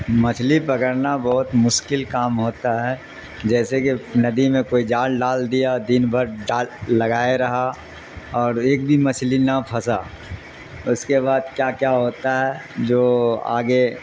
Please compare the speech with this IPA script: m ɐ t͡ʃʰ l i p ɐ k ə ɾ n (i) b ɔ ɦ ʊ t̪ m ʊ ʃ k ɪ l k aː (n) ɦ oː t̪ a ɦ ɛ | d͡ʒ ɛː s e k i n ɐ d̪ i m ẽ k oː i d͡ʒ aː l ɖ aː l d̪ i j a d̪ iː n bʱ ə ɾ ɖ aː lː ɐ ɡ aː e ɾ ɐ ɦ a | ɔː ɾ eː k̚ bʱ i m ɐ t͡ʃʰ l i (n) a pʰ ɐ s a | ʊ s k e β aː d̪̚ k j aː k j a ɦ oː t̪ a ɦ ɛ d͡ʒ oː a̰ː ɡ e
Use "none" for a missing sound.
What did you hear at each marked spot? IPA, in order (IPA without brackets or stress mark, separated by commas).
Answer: a, m, n